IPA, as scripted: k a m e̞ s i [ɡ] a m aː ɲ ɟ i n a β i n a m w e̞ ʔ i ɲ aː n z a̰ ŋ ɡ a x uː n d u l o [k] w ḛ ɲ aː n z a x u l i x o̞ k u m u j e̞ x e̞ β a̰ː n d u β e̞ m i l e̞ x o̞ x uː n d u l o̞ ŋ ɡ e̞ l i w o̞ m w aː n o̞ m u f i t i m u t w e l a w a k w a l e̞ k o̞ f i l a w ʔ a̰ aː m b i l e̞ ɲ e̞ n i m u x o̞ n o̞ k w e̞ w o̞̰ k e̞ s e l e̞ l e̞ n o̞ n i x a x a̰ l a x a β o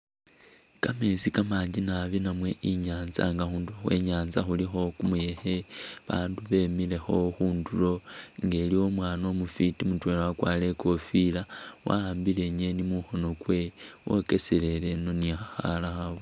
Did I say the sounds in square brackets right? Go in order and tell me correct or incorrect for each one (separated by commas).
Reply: incorrect, incorrect